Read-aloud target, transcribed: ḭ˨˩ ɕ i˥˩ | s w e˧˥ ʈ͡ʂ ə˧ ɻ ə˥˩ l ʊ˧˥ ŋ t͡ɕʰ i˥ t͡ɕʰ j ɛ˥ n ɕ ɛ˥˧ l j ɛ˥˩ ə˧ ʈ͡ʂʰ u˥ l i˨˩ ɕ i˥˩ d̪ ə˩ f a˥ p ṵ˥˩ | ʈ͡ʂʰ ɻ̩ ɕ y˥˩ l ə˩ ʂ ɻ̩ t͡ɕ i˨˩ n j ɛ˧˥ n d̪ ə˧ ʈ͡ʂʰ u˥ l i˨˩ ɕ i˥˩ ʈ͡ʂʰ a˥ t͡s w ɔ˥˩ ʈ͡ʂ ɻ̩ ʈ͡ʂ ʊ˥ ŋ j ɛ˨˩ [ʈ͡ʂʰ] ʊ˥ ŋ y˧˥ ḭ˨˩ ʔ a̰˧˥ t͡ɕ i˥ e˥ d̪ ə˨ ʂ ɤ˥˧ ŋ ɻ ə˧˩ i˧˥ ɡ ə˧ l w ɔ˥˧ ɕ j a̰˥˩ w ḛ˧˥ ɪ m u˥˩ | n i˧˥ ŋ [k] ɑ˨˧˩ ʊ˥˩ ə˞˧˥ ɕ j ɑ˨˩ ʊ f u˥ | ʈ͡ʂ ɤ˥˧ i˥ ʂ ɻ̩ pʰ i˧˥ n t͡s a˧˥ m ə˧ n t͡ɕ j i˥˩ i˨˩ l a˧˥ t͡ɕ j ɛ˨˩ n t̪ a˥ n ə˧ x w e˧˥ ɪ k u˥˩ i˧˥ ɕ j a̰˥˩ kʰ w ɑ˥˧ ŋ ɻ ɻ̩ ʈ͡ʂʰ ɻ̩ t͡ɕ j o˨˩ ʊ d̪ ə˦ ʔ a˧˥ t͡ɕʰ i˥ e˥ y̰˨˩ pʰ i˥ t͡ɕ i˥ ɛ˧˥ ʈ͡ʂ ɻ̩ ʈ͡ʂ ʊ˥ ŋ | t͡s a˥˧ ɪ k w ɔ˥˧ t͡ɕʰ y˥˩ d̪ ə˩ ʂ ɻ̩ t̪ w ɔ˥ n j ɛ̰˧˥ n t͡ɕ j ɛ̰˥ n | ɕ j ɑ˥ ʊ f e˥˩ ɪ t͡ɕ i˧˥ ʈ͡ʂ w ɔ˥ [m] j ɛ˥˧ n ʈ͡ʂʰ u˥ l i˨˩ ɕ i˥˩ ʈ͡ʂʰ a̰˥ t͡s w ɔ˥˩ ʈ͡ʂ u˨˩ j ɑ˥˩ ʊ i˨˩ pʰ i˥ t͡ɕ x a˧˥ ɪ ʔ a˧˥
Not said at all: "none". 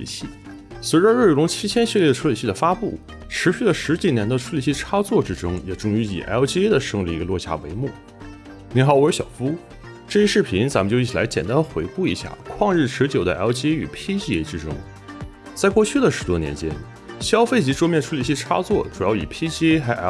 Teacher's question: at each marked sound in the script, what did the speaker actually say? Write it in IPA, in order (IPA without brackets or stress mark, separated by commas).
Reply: ʈ͡ʂ, x, m